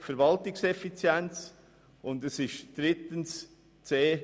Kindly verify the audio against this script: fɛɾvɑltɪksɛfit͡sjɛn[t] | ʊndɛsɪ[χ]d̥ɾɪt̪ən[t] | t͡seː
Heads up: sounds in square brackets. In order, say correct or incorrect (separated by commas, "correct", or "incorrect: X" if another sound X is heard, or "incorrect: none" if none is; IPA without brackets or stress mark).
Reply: incorrect: t͡s, incorrect: ʃ, incorrect: s